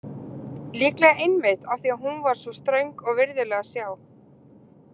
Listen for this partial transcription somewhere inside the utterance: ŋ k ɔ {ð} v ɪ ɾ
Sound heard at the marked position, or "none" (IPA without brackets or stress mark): ɣ